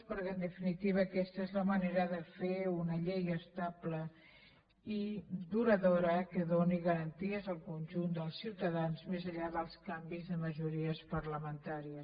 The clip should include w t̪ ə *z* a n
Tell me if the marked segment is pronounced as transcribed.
no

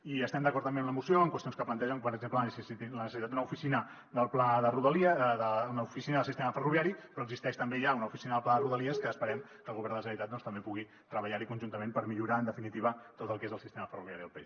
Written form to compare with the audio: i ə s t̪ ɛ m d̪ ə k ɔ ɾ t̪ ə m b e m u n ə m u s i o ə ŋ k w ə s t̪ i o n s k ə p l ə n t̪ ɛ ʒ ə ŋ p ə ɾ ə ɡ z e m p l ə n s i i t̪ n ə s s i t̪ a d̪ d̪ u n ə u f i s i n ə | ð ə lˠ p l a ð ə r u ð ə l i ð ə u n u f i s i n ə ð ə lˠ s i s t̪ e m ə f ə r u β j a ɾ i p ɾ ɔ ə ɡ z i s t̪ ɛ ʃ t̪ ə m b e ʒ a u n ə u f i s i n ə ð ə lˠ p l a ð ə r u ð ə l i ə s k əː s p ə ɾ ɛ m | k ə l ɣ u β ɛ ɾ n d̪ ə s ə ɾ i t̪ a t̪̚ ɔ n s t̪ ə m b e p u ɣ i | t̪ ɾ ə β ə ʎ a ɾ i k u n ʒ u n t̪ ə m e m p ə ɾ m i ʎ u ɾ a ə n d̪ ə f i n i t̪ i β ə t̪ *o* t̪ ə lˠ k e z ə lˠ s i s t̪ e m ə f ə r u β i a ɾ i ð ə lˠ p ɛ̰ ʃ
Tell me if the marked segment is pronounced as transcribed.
yes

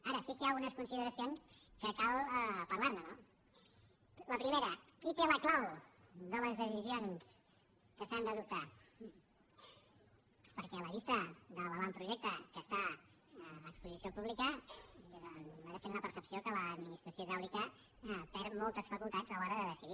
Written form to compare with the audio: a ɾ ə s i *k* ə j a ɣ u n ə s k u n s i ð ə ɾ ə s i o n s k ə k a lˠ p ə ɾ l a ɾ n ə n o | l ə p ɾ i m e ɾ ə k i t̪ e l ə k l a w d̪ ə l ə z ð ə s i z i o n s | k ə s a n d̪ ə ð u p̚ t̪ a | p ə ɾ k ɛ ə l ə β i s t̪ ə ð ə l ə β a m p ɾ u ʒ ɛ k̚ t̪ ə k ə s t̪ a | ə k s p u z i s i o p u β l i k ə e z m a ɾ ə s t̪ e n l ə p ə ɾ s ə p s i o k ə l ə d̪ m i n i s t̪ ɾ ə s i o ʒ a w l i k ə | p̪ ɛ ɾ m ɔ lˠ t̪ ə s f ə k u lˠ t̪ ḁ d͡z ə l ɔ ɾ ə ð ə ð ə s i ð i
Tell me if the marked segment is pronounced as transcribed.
yes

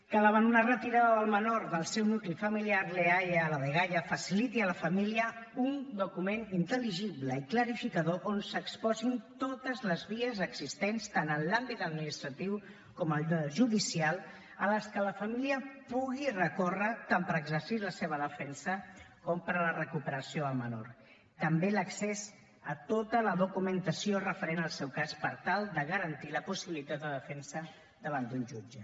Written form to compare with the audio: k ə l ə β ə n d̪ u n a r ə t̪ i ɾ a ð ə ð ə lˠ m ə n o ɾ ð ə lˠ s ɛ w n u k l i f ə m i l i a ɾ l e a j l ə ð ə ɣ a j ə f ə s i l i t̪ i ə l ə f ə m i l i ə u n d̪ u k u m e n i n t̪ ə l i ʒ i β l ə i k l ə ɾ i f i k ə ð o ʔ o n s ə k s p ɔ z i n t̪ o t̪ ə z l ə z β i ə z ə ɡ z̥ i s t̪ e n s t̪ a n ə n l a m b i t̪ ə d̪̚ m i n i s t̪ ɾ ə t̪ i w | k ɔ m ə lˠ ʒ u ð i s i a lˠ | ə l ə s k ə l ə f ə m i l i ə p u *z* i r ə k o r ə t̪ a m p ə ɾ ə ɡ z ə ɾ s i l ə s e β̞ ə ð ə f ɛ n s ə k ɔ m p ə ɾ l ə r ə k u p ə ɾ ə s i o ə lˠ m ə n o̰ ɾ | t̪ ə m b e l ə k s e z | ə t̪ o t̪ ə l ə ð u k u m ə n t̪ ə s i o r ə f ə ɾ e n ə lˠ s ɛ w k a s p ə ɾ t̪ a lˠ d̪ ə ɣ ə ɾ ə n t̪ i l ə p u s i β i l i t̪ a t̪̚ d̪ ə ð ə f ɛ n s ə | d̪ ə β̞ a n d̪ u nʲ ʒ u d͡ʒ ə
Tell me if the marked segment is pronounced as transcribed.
no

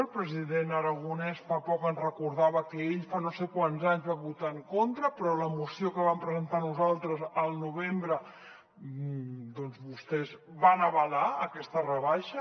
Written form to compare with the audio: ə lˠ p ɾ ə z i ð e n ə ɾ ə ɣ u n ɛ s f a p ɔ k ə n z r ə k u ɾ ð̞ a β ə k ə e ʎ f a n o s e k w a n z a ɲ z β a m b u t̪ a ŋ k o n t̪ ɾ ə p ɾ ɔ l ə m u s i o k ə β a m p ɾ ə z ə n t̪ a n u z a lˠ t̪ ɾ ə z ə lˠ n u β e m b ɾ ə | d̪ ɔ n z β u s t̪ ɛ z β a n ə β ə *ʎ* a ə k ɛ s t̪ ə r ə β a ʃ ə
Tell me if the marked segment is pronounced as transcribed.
no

